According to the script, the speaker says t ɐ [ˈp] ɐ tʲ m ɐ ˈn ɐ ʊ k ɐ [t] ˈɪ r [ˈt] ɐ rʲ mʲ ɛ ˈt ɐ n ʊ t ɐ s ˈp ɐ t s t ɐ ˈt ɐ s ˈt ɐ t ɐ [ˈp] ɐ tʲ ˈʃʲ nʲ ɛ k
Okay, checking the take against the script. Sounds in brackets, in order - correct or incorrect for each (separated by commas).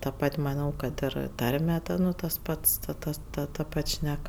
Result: correct, correct, correct, correct